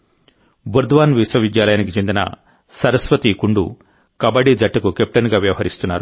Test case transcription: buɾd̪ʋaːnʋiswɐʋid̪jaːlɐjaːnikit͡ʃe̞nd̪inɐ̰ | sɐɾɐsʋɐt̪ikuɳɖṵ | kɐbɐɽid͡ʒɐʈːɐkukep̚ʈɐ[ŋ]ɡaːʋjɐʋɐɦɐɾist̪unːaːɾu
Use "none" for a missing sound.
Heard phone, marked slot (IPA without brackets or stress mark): n